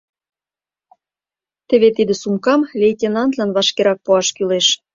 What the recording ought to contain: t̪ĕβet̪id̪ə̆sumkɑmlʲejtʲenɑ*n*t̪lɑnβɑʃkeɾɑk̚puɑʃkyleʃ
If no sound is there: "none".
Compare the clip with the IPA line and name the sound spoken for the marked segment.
n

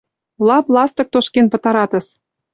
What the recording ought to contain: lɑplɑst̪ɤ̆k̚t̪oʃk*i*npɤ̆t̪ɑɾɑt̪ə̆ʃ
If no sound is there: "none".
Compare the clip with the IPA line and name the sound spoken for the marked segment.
e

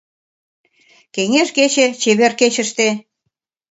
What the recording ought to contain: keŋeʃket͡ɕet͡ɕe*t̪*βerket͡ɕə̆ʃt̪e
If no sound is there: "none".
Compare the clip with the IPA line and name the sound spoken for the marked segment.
none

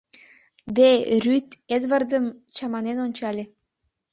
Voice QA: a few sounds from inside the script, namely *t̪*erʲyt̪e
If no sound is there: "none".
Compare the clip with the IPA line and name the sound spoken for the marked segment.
d̪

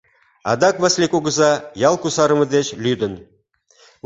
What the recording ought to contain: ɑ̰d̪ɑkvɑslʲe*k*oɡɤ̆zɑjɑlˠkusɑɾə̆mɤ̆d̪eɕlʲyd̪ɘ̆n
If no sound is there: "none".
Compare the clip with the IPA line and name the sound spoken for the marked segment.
k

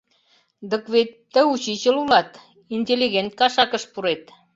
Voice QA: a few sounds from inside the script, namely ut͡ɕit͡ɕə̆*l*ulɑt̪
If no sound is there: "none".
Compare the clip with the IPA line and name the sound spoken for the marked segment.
l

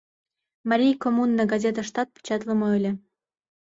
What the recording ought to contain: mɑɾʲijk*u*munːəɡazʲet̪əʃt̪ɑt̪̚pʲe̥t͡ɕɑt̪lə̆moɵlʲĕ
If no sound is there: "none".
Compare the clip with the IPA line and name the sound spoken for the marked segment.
o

